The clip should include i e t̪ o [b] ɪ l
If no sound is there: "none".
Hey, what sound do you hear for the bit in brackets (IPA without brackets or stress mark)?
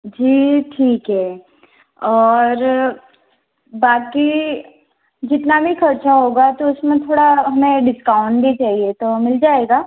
m